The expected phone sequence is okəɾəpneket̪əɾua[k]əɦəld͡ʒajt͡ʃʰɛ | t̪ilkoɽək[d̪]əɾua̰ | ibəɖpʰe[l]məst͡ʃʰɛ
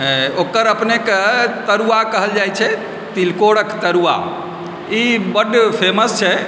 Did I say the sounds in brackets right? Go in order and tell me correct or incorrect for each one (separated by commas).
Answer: correct, incorrect, incorrect